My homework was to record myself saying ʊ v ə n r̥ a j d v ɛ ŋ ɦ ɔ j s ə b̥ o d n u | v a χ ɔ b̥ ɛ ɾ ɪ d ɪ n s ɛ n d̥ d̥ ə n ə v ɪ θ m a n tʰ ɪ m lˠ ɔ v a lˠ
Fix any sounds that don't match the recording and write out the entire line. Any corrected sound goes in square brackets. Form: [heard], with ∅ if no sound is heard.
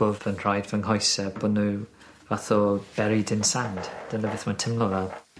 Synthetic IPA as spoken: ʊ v ə n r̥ a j d v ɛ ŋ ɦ ɔ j s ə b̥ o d n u | v a [θ] ɔ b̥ ɛ ɾ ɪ d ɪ n s [a] n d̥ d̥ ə n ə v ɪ θ m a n tʰ ɪ m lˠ ɔ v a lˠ